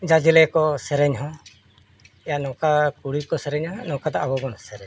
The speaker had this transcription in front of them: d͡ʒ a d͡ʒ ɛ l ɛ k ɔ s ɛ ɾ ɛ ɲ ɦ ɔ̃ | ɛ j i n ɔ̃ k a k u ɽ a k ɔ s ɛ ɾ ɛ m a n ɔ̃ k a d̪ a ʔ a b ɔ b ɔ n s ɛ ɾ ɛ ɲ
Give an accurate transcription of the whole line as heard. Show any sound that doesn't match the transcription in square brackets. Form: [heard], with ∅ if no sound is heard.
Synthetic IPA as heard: d͡ʒ a d͡ʒ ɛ l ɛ k ɔ s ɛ ɾ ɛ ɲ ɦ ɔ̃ | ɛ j [a] n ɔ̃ k a k u ɽ [i] k ɔ s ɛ ɾ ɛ [ɲ] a n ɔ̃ k a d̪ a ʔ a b ɔ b ɔ n s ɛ ɾ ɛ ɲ